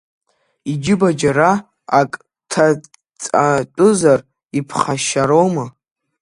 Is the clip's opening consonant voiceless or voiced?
voiced